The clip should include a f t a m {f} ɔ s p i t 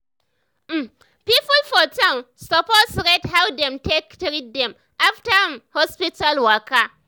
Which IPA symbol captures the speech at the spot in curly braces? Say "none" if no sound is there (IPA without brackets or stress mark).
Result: h